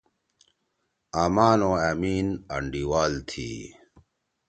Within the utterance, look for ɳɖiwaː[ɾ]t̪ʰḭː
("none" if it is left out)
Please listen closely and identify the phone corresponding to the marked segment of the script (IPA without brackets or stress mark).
l